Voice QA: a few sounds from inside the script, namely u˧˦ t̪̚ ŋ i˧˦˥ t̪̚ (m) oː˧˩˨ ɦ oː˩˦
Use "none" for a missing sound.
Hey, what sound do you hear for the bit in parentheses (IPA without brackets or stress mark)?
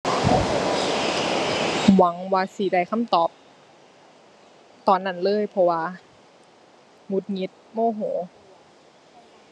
m